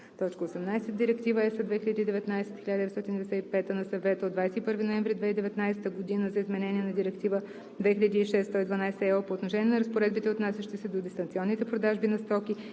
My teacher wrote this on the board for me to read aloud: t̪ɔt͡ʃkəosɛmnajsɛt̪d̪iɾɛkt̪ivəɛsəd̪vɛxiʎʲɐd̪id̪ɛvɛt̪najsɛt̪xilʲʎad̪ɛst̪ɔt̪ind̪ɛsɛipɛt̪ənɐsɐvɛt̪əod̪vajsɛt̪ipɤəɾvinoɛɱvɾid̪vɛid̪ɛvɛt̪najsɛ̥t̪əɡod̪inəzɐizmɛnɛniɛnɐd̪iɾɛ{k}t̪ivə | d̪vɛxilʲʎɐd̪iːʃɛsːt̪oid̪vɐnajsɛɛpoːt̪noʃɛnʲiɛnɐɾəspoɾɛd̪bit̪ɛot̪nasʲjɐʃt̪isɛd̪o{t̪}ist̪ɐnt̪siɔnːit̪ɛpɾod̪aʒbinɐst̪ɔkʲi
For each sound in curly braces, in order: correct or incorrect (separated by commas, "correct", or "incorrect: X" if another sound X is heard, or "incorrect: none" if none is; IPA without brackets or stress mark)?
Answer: correct, incorrect: d̪